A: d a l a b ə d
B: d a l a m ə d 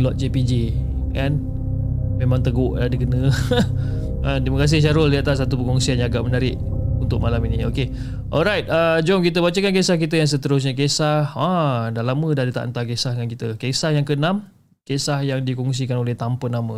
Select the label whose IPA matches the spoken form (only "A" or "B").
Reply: B